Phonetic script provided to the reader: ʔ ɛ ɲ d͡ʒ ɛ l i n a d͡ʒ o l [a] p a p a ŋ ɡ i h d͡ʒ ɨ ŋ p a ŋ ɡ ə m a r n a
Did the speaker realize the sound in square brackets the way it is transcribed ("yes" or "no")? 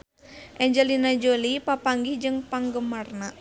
no